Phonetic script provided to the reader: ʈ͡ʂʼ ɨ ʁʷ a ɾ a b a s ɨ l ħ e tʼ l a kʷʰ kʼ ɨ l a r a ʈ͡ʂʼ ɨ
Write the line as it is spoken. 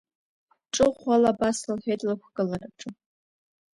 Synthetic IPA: ʈ͡ʂʼ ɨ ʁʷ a l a b a s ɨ l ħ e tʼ l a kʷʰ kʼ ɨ l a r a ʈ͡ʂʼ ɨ